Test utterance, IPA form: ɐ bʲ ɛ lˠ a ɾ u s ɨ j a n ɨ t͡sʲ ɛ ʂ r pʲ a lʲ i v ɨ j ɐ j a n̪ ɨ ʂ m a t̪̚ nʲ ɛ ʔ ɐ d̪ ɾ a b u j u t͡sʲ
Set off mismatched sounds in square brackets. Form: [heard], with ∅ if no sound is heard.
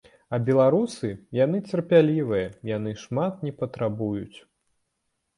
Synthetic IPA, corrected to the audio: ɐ bʲ ɛ lˠ a ɾ u s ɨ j a n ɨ t͡sʲ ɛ [∅] r pʲ a lʲ i v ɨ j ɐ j a n̪ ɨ ʂ m a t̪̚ nʲ ɛ [p] ɐ [t̪] ɾ a b u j u t͡sʲ